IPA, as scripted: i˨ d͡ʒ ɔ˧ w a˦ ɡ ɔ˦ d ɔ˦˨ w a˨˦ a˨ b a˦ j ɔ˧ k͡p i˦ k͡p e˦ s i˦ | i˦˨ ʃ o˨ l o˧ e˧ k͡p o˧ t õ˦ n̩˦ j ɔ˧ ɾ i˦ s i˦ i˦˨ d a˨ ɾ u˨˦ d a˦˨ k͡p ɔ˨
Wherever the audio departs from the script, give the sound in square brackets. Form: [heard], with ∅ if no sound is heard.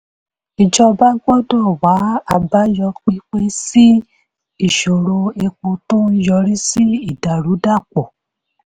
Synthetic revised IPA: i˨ d͡ʒ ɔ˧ [b] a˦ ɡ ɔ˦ d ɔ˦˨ w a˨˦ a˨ b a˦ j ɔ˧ k͡p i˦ k͡p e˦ s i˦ | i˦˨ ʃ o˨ [ɾ] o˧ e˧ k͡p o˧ t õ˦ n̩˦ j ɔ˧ ɾ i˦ s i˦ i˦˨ d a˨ ɾ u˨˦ d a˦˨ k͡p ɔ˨